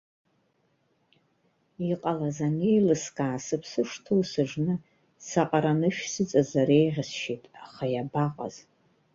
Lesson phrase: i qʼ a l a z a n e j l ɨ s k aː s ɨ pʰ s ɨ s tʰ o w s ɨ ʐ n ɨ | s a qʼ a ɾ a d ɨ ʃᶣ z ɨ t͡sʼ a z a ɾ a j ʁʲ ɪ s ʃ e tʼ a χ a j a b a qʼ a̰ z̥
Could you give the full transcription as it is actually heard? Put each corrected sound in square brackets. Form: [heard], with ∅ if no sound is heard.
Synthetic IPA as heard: i qʼ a l a z a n e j l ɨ s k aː s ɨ pʰ s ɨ [ʂ] tʰ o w s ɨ ʐ n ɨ | s a qʼ a ɾ a [n] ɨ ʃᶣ [s] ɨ t͡sʼ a z a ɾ [e] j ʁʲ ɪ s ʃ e tʼ a χ a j a b a qʼ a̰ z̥